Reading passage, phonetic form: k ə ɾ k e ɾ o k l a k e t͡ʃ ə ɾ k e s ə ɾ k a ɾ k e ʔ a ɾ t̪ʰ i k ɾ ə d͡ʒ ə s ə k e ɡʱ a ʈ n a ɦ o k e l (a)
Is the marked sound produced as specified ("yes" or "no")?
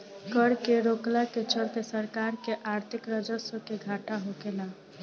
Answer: yes